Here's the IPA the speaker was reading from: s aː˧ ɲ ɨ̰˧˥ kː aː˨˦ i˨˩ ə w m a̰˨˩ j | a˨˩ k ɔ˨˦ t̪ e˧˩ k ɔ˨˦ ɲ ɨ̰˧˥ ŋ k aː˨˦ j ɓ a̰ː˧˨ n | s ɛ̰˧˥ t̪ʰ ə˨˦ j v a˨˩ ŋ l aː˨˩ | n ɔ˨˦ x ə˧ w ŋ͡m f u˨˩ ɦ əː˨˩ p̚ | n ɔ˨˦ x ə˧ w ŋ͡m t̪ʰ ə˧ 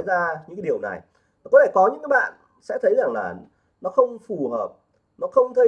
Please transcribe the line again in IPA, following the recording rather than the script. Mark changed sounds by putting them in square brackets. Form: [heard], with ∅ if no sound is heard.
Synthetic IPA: [z] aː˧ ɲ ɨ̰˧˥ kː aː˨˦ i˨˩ ə w [n] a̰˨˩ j | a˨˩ k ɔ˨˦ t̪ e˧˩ k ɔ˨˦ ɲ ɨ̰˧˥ ŋ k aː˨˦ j ɓ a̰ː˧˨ n | s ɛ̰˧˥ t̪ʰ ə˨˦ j [z] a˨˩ ŋ l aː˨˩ | n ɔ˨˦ x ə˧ w ŋ͡m f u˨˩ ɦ əː˨˩ p̚ | n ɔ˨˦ x ə˧ w ŋ͡m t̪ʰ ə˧